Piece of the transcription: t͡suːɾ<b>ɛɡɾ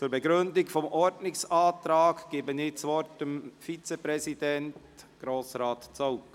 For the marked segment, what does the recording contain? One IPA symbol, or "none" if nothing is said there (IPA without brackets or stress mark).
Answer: b